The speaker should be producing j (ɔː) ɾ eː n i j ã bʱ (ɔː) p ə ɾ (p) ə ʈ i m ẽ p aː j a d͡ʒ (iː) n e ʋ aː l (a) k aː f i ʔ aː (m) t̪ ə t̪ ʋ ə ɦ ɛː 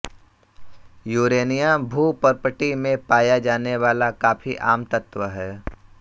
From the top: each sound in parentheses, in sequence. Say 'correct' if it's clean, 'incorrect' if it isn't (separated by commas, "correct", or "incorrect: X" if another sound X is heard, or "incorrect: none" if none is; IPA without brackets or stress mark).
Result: incorrect: uː, incorrect: uː, correct, incorrect: aː, correct, correct